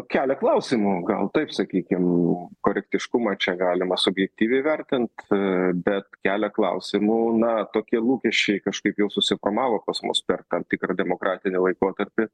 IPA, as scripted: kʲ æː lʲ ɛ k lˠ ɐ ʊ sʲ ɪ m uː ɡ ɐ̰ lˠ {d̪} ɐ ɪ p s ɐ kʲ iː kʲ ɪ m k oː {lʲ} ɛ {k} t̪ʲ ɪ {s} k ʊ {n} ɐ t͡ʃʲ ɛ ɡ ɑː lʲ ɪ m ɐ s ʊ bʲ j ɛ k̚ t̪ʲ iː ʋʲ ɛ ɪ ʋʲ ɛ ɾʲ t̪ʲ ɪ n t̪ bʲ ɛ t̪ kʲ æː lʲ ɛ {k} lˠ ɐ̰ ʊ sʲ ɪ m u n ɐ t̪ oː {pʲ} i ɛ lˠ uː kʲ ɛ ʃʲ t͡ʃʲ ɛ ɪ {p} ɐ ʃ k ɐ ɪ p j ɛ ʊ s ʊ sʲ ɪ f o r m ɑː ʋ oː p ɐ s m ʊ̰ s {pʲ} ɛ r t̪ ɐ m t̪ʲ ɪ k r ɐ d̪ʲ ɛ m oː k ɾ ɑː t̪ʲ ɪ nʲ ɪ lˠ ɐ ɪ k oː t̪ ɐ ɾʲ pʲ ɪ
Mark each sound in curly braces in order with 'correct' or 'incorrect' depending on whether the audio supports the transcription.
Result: incorrect, incorrect, correct, incorrect, incorrect, correct, incorrect, incorrect, correct

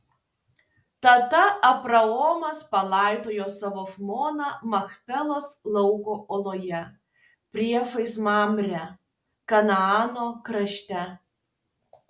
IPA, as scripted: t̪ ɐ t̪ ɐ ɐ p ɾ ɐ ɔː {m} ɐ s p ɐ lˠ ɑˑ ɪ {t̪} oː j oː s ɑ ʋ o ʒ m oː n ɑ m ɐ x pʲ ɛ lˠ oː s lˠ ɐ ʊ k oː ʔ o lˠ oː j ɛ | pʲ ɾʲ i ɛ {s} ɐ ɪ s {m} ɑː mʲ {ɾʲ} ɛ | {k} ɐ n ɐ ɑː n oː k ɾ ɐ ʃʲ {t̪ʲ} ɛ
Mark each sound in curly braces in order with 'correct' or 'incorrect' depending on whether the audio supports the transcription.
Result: correct, correct, incorrect, correct, correct, correct, correct

